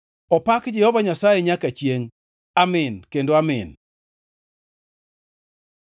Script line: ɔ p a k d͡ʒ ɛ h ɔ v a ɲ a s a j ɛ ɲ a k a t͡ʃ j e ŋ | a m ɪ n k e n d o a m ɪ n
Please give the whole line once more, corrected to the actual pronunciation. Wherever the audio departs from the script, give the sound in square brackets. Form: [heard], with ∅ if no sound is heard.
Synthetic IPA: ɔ p a k d͡ʒ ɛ h ɔ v a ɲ a s a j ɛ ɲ a k a t͡ʃ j e ŋ | a m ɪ n k e n d o a m ɪ n